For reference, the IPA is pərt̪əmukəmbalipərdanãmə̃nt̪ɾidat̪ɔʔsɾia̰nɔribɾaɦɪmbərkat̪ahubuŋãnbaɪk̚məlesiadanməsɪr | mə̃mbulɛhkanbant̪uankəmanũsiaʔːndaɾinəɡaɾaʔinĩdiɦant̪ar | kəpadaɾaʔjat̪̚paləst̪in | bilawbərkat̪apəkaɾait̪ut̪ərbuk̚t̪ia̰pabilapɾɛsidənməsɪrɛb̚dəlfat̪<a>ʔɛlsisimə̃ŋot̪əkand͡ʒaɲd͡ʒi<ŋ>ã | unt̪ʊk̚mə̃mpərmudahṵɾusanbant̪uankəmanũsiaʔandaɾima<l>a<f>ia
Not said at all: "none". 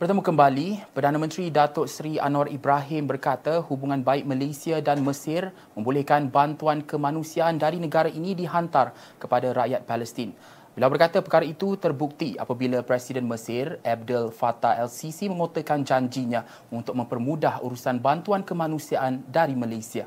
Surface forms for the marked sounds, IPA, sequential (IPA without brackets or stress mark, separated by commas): a, ɲ, l, s